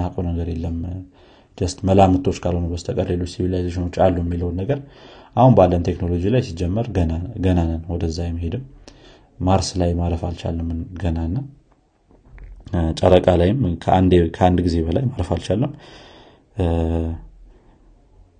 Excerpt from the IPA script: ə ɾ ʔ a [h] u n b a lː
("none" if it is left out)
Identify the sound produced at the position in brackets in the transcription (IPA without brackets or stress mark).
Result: h